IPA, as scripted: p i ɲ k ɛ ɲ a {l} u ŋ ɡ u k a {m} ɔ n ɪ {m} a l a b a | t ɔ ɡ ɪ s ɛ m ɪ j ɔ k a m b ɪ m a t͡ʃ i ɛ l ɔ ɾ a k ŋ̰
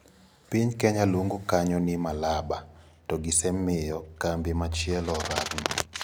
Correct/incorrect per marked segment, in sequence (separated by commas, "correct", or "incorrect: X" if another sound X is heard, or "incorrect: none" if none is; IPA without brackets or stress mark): correct, incorrect: ɲ, correct